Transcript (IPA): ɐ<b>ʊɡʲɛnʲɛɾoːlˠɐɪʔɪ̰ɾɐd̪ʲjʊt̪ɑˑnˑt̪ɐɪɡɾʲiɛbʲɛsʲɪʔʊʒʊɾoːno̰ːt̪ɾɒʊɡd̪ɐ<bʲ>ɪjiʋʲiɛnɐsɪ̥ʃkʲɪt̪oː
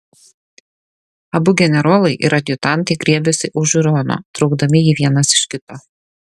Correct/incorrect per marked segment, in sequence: correct, incorrect

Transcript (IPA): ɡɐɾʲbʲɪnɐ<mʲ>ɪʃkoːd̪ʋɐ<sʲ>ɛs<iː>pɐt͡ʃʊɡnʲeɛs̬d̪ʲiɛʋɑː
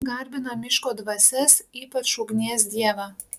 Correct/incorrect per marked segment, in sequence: correct, correct, correct

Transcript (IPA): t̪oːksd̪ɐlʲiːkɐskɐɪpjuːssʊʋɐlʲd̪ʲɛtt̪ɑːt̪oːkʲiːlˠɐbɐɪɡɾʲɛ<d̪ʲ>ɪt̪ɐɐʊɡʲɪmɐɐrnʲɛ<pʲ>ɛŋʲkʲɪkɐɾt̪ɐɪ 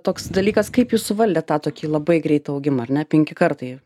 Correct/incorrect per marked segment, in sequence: incorrect, correct

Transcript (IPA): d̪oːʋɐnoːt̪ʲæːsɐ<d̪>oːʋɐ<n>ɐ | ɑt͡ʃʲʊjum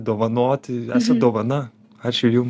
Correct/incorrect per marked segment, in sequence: correct, correct

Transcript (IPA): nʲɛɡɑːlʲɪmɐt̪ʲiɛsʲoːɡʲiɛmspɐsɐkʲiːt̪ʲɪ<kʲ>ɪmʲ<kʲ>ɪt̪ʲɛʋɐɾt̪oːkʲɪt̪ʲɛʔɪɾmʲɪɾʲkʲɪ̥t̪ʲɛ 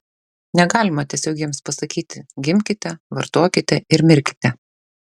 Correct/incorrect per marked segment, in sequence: incorrect, correct

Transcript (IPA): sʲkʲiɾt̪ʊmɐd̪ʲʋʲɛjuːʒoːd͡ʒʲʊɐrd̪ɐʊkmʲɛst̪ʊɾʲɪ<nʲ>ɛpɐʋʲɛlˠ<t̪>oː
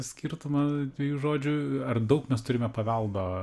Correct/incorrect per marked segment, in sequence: incorrect, incorrect

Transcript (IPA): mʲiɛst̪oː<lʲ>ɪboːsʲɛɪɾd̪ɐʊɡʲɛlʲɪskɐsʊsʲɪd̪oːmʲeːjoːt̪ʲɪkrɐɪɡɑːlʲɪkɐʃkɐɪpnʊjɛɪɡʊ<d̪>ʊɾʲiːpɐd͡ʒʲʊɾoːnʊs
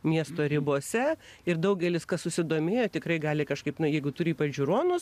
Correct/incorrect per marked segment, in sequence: incorrect, incorrect

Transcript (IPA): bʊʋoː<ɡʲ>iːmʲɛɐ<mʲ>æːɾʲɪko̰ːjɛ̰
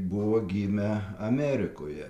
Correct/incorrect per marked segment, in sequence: correct, correct

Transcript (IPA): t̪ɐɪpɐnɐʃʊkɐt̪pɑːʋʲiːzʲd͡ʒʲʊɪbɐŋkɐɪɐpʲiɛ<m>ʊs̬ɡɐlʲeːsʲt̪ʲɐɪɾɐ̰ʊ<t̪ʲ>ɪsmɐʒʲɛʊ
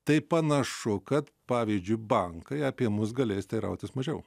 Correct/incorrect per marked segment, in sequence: correct, correct

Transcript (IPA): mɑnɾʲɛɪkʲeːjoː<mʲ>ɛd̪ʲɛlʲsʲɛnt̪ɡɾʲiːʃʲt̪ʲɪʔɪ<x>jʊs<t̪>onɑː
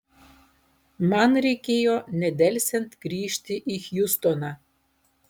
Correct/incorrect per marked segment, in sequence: incorrect, correct, correct

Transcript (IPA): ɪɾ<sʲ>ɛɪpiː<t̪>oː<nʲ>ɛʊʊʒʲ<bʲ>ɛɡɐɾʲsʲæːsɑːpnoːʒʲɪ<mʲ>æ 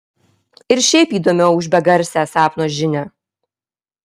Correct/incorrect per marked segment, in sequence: incorrect, incorrect, incorrect, correct, incorrect

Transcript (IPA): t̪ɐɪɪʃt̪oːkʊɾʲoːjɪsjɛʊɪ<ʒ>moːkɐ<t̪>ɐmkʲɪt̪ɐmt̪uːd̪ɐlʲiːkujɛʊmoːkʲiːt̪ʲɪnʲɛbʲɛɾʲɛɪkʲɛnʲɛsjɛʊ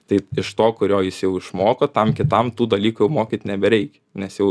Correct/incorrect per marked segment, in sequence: incorrect, correct

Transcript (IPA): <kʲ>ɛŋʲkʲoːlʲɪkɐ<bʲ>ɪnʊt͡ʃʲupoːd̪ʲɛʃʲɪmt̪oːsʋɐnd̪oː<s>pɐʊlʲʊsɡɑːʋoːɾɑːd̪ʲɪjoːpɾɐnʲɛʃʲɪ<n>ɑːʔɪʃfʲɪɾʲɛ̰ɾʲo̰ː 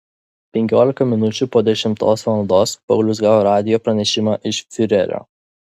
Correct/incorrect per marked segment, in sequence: incorrect, incorrect, correct, incorrect

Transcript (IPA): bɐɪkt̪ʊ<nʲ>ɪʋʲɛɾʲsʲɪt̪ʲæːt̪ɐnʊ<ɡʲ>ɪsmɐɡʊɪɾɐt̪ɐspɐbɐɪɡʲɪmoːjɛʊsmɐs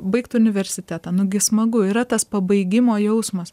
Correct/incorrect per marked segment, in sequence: correct, correct

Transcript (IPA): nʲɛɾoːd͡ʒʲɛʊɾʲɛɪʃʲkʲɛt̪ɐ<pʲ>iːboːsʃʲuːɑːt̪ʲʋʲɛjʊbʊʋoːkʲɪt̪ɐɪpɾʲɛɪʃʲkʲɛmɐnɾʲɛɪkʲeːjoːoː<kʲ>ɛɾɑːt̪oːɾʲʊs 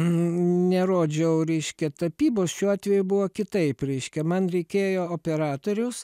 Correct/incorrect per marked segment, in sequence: correct, incorrect

